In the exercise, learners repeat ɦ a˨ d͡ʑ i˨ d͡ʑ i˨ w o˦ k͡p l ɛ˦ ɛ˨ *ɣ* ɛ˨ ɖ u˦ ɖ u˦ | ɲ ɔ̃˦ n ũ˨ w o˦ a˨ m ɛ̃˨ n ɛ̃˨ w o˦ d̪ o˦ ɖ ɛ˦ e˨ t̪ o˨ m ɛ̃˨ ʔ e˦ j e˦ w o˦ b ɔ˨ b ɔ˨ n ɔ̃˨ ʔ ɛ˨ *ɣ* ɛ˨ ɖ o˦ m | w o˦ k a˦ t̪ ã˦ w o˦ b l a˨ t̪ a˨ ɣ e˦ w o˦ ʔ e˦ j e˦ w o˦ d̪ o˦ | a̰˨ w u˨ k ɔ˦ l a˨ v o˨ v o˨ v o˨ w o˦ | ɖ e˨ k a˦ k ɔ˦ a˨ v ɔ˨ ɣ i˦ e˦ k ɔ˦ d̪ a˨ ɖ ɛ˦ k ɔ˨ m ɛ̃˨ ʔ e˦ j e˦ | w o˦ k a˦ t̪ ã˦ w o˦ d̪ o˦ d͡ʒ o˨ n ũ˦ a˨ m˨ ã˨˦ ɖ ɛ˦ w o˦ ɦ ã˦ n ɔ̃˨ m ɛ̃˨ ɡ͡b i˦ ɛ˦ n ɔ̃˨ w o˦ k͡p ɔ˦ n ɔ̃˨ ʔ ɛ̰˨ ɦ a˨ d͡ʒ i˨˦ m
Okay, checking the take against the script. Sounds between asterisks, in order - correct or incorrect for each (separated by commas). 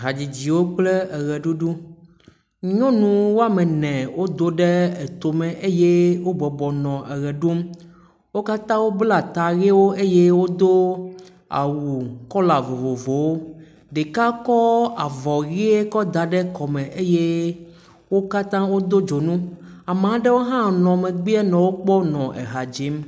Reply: correct, correct